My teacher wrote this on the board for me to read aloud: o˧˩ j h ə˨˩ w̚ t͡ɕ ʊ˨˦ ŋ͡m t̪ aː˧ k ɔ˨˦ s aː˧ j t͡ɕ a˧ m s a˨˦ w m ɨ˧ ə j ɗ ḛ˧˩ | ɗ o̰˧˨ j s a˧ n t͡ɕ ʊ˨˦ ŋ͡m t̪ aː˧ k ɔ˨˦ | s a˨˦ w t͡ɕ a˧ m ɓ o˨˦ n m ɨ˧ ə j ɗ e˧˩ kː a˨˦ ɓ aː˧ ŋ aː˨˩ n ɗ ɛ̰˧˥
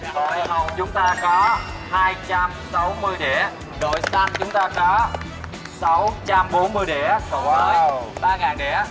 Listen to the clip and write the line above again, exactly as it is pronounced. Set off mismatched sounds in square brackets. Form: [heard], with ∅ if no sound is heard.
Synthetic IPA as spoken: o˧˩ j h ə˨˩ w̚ t͡ɕ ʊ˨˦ ŋ͡m t̪ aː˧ k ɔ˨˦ [h] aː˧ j t͡ɕ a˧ m s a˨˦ w m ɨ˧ ə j ɗ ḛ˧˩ | ɗ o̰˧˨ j s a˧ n t͡ɕ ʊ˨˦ ŋ͡m t̪ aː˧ k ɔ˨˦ | s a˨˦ w t͡ɕ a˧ m ɓ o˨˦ n m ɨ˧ ə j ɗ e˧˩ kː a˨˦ ɓ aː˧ ŋ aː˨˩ n ɗ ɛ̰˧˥

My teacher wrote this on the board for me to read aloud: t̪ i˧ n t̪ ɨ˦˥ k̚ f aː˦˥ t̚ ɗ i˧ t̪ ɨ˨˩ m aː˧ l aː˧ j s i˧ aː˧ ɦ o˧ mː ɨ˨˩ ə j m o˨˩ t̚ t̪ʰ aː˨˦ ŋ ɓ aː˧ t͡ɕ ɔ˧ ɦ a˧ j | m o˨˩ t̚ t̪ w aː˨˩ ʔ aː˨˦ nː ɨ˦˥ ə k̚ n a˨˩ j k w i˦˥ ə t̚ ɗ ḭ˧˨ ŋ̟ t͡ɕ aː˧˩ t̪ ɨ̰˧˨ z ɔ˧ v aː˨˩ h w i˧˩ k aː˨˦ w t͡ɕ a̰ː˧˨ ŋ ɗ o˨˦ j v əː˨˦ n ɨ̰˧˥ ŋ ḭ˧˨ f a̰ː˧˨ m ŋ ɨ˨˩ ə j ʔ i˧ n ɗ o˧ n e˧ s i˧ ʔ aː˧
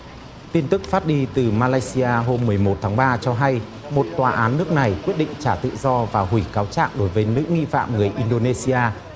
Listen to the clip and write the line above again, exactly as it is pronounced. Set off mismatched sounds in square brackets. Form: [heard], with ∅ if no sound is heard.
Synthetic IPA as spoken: t̪ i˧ n t̪ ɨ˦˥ k̚ f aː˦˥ t̚ ɗ i˧ t̪ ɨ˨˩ m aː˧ l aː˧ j s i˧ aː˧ ɦ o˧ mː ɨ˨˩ ə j m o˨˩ t̚ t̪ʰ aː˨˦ ŋ ɓ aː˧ t͡ɕ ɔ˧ ɦ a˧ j | m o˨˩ t̚ t̪ w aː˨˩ ʔ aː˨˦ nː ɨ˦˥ ə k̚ n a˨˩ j k w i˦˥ ə t̚ ɗ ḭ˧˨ ŋ̟ t͡ɕ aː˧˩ t̪ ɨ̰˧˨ z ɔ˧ v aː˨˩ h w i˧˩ k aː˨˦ w t͡ɕ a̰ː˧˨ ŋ ɗ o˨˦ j v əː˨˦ n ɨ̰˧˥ ŋ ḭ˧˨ f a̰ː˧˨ m ŋ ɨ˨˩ ə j ʔ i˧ n ɗ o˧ n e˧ s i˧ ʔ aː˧

